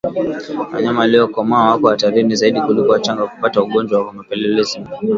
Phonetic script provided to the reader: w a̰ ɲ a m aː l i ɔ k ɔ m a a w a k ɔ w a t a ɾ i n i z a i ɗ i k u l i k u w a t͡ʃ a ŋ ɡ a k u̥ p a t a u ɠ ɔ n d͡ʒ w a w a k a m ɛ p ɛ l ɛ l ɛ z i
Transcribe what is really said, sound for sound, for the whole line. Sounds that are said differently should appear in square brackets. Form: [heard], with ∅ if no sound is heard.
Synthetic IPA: w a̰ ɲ a m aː l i ɔ k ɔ m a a w a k ɔ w a t a ɾ i n i z a i ɗ i k u l i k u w a t͡ʃ a ŋ ɡ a k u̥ p a t a u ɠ ɔ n d͡ʒ w a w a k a m [a] p ɛ l ɛ l ɛ z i